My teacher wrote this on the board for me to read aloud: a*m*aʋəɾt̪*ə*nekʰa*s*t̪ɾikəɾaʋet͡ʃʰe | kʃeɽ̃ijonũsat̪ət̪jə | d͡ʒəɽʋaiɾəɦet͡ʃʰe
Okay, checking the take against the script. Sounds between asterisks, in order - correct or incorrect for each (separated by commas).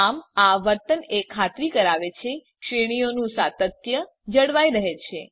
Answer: correct, correct, incorrect